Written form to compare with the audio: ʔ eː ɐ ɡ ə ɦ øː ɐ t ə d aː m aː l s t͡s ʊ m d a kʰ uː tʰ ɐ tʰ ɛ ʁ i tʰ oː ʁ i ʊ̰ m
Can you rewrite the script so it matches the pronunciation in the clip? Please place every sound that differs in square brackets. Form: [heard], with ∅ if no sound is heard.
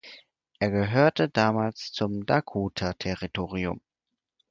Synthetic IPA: ʔ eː ɐ ɡ ə ɦ øː ɐ t ə d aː m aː l s t͡s ʊ m d a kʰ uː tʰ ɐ tʰ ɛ ʁ i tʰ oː ʁ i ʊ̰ m